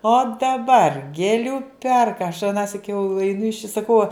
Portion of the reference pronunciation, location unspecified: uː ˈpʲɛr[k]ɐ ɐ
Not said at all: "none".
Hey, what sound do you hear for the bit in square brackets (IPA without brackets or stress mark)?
k